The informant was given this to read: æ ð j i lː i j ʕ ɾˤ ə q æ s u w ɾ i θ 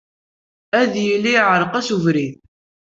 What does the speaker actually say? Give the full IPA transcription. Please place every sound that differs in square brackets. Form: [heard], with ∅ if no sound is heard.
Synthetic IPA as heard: æ ð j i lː i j ʕ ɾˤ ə q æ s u [v] ɾ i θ